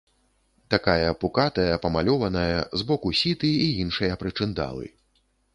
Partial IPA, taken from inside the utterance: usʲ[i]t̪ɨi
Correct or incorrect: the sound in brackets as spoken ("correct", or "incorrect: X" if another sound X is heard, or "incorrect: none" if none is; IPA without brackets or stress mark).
correct